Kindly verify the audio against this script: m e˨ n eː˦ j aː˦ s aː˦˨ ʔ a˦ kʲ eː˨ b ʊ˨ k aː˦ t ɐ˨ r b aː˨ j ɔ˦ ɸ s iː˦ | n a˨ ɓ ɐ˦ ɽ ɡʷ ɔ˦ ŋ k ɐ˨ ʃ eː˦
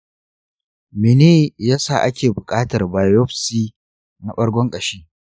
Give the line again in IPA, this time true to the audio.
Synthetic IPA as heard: m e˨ n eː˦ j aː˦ s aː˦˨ ʔ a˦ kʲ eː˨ b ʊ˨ kʼ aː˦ t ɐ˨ r b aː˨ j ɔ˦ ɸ s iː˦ | n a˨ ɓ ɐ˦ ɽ ɡʷ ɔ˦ ŋ kʼ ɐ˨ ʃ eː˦